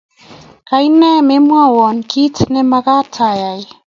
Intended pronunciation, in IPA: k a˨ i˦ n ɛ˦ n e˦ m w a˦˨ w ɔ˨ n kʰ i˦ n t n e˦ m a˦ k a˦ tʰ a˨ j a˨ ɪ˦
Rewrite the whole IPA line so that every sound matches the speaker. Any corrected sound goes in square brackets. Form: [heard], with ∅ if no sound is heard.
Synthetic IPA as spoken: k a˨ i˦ n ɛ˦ [m] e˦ m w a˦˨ w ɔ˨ n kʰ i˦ [∅] t n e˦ m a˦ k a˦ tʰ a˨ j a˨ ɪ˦